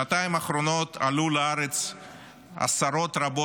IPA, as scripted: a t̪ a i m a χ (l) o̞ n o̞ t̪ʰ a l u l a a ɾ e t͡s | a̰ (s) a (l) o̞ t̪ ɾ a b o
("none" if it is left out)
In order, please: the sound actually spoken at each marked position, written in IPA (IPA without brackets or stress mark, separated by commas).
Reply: ɾ, s, ɾ